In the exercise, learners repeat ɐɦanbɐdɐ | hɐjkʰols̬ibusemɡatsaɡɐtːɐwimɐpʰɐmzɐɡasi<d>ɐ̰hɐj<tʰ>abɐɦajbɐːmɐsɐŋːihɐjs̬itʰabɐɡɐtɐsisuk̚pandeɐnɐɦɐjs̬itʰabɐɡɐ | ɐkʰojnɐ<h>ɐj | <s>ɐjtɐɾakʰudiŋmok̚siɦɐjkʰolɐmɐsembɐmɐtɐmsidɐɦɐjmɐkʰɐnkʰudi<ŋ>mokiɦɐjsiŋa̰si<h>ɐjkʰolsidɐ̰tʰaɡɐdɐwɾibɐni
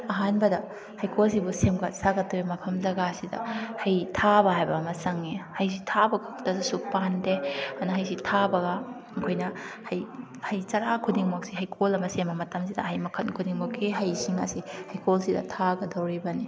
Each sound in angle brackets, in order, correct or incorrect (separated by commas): correct, correct, correct, incorrect, correct, correct